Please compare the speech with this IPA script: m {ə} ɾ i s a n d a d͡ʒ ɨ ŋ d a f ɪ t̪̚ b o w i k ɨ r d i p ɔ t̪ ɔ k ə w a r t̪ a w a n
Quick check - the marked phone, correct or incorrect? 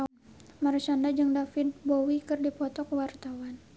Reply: incorrect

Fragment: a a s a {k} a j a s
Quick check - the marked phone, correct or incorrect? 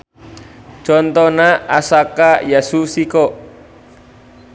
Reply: correct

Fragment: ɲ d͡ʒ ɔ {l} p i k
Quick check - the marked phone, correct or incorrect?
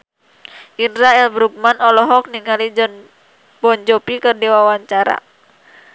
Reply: incorrect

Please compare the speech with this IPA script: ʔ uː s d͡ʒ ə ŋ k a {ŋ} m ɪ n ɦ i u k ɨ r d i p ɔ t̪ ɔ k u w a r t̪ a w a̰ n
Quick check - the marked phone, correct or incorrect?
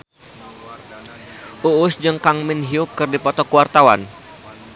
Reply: correct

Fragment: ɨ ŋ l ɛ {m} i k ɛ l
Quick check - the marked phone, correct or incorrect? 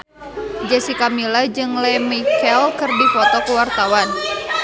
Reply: correct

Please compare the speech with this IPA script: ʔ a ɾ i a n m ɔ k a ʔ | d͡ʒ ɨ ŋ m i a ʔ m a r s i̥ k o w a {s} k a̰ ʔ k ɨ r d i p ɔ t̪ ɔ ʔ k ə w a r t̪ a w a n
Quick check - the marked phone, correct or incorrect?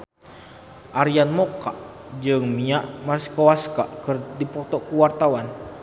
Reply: correct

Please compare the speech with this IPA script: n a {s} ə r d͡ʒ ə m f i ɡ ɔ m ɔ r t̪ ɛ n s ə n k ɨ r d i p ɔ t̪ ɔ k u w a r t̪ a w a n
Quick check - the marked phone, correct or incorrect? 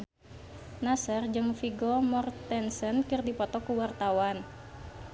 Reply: correct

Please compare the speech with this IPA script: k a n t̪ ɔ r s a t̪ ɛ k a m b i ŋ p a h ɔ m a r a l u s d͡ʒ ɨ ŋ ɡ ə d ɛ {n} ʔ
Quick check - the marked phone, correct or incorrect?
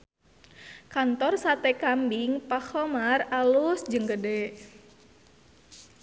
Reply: incorrect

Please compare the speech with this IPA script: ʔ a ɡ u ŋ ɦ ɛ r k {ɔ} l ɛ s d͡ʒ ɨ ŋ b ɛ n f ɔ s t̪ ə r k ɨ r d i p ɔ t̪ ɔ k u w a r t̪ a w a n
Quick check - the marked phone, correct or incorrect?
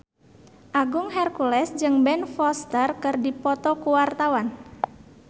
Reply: incorrect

